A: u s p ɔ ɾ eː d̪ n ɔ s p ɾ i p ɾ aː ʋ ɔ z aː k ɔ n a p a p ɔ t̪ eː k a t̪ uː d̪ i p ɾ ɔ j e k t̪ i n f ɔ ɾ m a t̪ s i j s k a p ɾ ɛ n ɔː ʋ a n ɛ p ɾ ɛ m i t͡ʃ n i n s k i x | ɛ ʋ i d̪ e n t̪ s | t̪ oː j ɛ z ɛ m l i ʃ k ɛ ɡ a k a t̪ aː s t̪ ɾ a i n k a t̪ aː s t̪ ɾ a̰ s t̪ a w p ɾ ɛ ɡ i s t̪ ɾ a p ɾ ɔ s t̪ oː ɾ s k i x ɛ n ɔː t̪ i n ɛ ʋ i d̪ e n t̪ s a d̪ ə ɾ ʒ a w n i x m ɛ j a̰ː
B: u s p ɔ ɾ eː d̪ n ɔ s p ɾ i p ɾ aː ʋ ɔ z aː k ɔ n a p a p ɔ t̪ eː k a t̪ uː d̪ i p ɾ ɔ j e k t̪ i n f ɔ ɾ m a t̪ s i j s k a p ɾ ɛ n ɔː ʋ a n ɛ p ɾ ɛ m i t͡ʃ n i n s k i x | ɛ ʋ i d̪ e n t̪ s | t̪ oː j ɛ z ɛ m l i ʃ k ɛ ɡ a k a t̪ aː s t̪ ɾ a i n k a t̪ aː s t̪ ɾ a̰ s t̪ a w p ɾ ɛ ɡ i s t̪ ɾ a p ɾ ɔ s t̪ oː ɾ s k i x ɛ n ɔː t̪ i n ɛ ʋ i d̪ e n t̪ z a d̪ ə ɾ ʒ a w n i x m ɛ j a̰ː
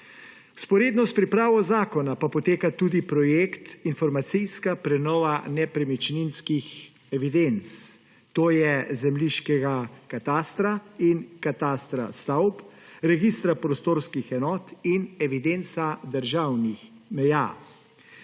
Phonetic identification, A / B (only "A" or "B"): A